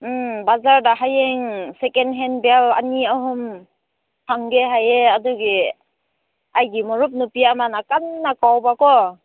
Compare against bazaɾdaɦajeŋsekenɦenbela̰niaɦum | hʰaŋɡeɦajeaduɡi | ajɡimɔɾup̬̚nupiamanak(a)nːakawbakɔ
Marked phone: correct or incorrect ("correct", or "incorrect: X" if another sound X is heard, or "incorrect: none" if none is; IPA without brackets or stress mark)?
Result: correct